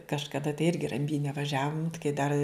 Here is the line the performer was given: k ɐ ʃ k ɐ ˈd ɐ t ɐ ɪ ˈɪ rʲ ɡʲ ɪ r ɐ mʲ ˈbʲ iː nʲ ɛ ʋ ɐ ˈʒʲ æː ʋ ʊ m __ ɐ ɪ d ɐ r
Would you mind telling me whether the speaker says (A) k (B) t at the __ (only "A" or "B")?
A